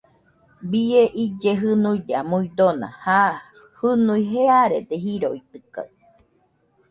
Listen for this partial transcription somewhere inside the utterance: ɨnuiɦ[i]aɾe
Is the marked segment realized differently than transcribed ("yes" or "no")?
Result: yes